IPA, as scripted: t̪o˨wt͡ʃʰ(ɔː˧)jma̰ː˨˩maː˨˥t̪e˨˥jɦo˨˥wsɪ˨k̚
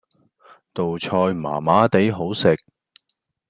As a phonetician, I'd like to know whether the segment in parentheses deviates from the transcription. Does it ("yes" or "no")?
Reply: no